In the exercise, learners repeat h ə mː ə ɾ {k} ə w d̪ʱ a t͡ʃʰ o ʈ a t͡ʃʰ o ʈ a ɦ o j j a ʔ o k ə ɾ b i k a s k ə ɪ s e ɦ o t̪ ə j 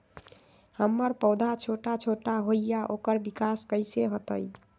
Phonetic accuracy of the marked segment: incorrect: p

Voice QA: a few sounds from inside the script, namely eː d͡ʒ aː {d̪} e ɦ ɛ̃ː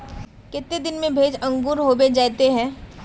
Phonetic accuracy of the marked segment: incorrect: t̪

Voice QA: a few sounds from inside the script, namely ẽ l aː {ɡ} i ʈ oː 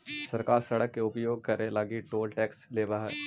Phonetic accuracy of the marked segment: correct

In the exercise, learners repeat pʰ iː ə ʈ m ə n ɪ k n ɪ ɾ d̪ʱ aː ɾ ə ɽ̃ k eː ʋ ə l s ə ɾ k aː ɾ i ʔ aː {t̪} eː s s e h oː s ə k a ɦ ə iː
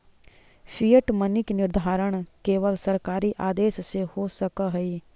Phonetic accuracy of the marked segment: incorrect: d̪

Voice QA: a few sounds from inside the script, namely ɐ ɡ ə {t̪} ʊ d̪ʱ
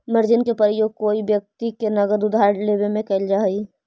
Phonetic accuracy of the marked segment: incorrect: d̪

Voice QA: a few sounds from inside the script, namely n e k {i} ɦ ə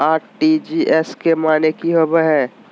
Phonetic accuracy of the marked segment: correct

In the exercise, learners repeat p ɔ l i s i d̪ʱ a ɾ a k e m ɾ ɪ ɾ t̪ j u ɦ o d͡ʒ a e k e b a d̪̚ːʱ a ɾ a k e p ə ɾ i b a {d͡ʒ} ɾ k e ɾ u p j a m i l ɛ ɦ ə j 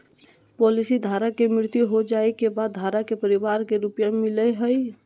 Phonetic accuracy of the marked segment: incorrect: none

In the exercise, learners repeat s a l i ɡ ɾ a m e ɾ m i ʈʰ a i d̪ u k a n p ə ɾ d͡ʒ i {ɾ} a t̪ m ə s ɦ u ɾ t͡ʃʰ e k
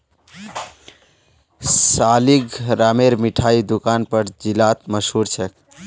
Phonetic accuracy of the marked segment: incorrect: l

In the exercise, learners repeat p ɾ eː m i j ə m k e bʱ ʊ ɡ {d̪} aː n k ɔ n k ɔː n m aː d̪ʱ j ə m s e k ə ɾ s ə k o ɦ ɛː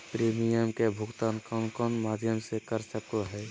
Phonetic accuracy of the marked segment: incorrect: t̪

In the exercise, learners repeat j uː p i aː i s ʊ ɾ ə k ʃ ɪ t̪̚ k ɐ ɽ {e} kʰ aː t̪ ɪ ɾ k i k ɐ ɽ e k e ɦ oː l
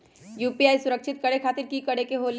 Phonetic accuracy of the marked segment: correct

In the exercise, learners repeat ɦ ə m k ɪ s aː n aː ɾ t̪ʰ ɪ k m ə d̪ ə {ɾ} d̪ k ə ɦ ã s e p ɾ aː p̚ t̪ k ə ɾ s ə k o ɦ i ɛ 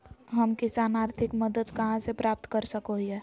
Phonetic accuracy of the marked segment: incorrect: none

